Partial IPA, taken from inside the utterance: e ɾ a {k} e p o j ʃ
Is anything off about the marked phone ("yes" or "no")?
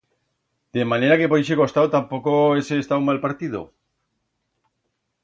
no